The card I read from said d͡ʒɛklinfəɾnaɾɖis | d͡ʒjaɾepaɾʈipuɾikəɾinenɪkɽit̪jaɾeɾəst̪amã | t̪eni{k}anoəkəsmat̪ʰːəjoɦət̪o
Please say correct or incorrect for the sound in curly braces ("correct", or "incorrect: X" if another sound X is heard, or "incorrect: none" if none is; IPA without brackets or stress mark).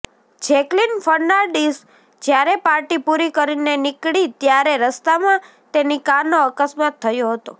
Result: correct